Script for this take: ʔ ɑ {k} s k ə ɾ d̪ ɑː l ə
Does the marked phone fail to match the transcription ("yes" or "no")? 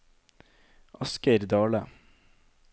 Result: yes